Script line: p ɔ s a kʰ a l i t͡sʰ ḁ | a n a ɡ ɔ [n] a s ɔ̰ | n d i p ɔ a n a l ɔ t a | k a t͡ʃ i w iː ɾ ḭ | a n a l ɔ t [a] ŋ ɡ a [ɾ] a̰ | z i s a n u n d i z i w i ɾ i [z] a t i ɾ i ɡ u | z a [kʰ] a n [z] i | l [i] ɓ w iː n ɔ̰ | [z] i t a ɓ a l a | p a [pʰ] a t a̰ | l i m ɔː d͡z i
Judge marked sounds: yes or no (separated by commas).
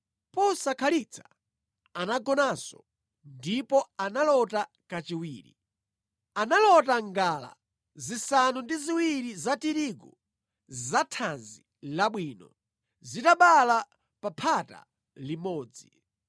yes, yes, no, yes, no, yes, no, yes, yes